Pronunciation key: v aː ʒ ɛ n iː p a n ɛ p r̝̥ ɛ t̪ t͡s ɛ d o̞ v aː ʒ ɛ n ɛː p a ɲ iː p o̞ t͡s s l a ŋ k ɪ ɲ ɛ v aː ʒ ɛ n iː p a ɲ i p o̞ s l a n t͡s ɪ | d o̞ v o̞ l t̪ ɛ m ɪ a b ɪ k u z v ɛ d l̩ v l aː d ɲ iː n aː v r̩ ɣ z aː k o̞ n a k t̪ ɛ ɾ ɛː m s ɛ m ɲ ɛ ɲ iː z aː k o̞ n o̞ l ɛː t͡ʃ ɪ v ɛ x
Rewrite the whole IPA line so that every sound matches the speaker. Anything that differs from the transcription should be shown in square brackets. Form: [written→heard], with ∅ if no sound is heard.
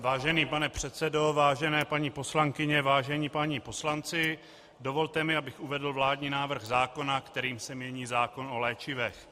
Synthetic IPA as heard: v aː ʒ ɛ n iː p a n ɛ p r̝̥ ɛ t̪ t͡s ɛ d o̞ v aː ʒ ɛ n ɛː p a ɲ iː p o̞ [t͡s→∅] s l a ŋ k ɪ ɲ ɛ v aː ʒ ɛ [n→ɲ] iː p a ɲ i p o̞ s l a n t͡s ɪ | d o̞ v o̞ l t̪ ɛ m ɪ a b ɪ [k→x] u [z→∅] v ɛ d l̩ v l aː d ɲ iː n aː v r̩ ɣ z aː k o̞ n a k t̪ ɛ ɾ [ɛː→iː] m s ɛ m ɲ ɛ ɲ iː z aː k o̞ n o̞ l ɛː t͡ʃ ɪ v ɛ x